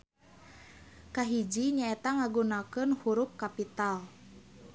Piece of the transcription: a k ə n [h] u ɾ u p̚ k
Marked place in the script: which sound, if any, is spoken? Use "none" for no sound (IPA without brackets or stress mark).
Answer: h